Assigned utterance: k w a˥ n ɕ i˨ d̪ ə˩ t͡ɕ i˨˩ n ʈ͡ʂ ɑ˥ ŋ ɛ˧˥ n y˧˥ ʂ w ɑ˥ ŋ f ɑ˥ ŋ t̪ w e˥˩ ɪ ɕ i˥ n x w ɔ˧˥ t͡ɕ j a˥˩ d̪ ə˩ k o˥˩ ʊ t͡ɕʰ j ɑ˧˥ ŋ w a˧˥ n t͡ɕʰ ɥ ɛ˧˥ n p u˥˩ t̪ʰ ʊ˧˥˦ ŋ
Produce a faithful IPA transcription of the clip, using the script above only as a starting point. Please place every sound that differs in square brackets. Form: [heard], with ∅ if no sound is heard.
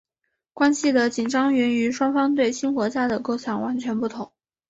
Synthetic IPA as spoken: k w a˥ n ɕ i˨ d̪ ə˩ t͡ɕ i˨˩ n ʈ͡ʂ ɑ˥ ŋ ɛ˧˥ n y˧˥ ʂ w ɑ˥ ŋ f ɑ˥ ŋ t̪ w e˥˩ ɪ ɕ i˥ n x w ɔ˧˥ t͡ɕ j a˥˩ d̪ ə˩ k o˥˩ ʊ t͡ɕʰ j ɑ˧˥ ŋ w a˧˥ n t͡ɕʰ ɥ ɛ˧˥ n p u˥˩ t̪ʰ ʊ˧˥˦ ŋ